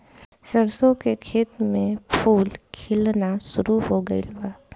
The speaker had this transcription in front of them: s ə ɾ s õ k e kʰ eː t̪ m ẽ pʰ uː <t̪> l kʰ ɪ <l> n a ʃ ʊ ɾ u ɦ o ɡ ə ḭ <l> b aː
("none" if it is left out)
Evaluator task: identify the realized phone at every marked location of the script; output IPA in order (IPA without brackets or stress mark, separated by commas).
none, l, l